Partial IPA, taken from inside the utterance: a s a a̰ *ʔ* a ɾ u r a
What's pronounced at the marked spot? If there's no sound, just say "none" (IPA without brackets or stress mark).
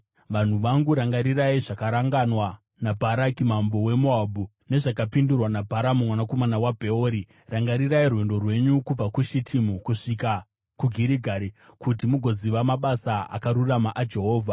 k